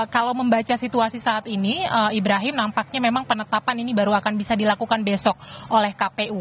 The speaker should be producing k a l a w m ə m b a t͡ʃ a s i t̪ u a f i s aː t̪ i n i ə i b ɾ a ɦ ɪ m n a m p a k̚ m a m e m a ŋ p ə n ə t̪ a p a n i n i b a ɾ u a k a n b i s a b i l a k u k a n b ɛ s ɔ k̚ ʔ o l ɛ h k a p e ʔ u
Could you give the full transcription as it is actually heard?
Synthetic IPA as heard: k a l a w m ə m b a t͡ʃ a s i t̪ u a s i s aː t̪ i n i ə i b ɾ a ɦ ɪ m n a m p a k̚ ɲ a m e m a ŋ p ə n ə t̪ a p a n i n i b a ɾ u a k a n b i s a d i l a k u k a n b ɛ s ɔ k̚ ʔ o l ɛ h k a p e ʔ u